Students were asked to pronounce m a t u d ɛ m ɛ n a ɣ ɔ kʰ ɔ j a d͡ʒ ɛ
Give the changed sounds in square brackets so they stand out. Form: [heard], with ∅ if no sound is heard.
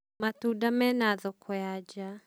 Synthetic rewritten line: m a t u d [a] m ɛ n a [ð] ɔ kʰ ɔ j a d͡ʒ [a]